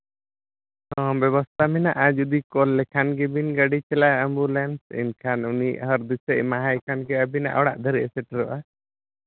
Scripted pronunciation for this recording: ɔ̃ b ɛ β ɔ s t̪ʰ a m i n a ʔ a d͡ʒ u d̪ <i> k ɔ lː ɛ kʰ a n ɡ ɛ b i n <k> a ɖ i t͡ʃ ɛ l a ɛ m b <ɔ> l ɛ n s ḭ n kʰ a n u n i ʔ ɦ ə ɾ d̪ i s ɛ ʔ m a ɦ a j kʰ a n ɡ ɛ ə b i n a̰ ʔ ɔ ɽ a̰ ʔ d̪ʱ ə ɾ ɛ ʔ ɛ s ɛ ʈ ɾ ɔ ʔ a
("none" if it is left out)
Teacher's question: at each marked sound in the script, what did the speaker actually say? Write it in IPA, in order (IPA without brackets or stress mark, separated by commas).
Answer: i, ɡ, u